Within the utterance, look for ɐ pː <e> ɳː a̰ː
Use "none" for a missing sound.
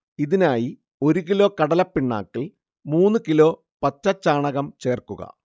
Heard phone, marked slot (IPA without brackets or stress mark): i